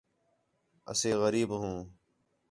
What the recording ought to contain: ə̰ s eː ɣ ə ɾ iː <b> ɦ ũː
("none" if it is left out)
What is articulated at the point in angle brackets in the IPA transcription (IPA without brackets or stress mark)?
b